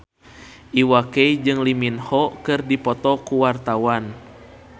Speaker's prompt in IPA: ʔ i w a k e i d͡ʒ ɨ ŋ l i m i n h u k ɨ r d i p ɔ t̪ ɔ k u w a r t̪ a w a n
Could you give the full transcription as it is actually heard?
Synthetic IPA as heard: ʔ i w a k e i d͡ʒ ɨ ŋ l i m i n h ɔ k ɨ r d i p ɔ t̪ ɔ k u w a r t̪ a w a n